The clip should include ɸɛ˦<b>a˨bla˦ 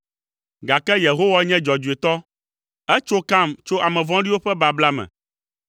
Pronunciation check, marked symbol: correct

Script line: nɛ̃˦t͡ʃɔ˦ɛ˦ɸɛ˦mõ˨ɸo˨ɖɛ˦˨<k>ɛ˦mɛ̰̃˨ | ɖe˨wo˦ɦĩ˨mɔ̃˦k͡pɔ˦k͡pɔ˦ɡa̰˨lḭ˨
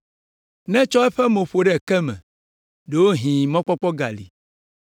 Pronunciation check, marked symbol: correct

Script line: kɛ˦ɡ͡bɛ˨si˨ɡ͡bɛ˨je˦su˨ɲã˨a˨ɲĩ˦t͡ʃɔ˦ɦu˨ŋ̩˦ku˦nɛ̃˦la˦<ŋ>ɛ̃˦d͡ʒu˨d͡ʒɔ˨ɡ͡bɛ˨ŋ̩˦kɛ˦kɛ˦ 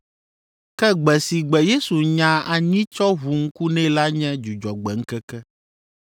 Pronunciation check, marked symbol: incorrect: ɲ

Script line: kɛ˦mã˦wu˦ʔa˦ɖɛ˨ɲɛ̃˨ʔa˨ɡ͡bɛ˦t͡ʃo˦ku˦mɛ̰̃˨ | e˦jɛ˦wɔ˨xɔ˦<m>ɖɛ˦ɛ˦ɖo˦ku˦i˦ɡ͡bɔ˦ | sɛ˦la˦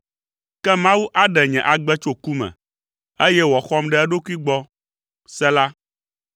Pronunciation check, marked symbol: correct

